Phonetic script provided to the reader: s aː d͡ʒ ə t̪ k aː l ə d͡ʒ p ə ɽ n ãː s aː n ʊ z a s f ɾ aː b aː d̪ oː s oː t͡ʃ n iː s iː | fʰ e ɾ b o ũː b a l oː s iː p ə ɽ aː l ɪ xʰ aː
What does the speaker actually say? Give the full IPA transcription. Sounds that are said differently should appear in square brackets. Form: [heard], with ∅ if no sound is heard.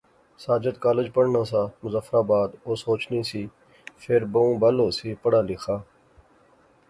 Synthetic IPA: s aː d͡ʒ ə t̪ k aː l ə d͡ʒ p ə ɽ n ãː s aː [m] ʊ z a [∅] f ɾ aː b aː d̪ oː s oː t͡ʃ n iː s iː | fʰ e ɾ b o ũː b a l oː s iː p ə ɽ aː l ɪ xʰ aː